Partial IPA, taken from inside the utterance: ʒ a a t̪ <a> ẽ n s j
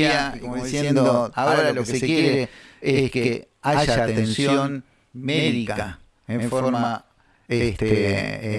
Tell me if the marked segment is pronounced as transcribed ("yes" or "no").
no